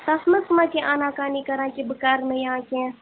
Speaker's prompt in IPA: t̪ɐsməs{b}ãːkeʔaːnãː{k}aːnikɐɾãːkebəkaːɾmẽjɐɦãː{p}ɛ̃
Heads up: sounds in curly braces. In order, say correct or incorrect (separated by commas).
incorrect, correct, incorrect